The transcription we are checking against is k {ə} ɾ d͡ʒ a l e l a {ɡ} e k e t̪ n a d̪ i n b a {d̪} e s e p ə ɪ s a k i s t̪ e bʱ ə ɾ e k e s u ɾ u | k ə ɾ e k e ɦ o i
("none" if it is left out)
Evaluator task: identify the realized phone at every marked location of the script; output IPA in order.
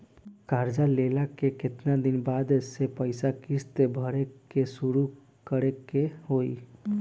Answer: a, k, d̪

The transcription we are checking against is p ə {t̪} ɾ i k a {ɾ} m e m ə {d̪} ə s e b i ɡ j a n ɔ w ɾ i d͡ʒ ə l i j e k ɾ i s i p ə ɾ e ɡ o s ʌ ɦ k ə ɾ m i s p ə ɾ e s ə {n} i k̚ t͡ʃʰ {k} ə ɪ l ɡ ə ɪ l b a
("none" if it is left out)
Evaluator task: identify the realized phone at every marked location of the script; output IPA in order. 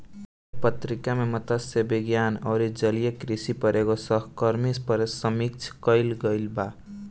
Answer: t̪, none, t̪, m, k

